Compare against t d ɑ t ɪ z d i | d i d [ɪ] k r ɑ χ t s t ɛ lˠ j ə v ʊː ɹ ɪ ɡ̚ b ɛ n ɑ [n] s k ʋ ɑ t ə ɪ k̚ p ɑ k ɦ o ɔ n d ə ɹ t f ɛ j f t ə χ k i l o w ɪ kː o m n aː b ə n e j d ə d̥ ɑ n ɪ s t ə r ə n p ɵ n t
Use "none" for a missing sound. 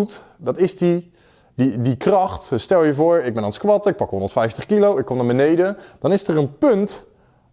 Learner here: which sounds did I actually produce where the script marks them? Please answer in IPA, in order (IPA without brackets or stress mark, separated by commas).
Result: i, n